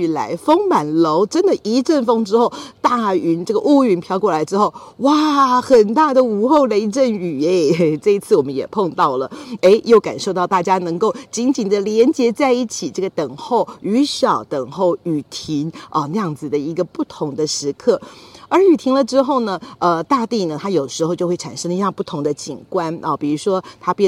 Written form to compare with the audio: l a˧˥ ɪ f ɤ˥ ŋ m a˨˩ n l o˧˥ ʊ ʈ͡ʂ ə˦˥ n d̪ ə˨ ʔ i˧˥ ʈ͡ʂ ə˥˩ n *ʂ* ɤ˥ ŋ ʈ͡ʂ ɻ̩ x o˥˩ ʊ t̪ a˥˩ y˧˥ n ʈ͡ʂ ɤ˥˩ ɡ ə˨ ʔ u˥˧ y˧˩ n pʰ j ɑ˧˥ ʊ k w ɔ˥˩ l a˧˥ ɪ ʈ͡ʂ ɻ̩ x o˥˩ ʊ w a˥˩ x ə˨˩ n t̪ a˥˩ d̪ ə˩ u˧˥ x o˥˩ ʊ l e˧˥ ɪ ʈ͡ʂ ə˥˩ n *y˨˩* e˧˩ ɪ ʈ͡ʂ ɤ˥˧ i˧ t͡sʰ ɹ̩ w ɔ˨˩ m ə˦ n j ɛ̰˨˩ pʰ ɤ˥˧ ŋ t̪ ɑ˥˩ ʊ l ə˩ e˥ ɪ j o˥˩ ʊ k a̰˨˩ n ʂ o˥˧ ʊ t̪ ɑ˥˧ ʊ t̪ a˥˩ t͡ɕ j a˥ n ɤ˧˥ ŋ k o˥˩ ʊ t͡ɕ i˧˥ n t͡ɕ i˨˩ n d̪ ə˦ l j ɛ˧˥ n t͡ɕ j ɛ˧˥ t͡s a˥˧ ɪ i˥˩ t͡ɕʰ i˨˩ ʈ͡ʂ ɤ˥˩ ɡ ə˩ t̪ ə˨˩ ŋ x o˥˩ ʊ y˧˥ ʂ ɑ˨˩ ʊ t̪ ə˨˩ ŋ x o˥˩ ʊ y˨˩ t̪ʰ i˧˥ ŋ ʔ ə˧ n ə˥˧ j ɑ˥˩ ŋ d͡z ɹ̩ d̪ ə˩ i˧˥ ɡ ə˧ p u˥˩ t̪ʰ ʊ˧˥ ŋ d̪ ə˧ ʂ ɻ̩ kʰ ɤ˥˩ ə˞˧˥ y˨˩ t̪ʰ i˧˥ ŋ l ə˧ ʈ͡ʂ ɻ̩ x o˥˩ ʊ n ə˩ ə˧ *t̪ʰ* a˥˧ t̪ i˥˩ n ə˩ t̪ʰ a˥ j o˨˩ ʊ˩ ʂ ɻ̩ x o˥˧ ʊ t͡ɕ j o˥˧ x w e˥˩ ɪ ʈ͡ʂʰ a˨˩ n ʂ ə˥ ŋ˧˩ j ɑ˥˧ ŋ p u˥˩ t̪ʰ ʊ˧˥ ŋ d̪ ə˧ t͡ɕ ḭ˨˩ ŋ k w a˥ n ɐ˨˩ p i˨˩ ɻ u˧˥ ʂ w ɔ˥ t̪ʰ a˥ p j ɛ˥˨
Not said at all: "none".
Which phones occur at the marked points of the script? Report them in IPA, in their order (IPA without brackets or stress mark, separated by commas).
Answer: f, y˨˩, t̪